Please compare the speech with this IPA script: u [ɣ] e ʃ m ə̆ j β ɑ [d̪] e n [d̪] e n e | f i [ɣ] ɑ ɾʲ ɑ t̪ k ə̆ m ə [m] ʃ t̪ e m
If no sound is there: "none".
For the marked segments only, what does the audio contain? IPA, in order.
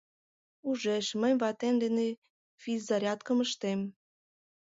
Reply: ʒ, t̪, d̪, z, none

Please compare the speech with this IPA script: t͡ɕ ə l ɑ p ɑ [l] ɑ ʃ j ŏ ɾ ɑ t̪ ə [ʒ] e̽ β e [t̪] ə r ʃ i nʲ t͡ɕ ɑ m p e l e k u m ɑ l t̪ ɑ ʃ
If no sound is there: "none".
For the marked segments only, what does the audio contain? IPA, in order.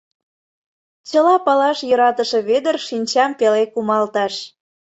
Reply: l, ʃ, d̪

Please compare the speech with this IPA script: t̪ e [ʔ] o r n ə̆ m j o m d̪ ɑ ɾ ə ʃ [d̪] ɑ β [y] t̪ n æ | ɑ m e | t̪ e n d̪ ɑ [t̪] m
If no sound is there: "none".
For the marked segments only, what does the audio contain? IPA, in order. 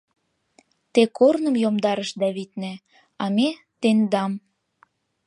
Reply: k, d̪, i, none

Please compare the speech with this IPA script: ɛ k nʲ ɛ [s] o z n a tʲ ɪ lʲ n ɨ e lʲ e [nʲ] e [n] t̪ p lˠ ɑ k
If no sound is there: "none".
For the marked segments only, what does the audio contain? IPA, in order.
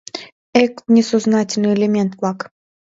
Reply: s, mʲ, n

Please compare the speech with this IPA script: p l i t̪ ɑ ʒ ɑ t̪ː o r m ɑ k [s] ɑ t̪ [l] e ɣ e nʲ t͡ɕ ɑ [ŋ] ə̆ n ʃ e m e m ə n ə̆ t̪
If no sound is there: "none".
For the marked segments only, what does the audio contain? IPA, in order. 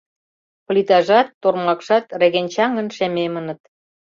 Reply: ʃ, r, ŋ

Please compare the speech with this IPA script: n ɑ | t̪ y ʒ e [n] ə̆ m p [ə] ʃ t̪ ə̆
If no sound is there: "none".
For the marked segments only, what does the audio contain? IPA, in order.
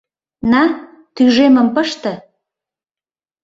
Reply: m, ə

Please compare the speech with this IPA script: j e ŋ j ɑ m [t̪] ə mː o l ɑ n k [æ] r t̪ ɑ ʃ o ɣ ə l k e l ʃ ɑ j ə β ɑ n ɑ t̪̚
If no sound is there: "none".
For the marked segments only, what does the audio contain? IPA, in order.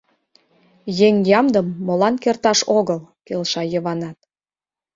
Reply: d̪, e

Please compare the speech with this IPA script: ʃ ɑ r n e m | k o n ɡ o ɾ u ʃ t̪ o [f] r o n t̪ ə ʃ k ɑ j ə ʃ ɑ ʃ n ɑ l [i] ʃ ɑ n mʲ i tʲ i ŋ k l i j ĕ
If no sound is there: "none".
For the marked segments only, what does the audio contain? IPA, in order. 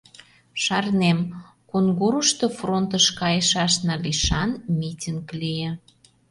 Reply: f, i

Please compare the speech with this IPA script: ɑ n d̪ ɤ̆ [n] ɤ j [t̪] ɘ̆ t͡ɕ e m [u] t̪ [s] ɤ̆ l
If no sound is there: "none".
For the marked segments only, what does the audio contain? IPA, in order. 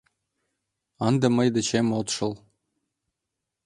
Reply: m, d̪, o, ʃ

